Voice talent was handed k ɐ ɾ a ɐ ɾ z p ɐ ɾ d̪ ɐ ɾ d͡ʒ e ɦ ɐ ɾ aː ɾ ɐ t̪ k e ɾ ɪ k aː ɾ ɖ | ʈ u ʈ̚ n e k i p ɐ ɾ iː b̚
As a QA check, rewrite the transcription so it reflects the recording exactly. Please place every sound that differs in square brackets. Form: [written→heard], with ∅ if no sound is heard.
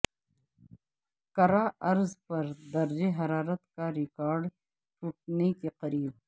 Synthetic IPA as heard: k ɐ ɾ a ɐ ɾ z p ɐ ɾ d̪ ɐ ɾ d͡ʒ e ɦ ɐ ɾ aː ɾ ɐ t̪ k [e→a] ɾ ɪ k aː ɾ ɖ | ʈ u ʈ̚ n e k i [p→q] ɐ ɾ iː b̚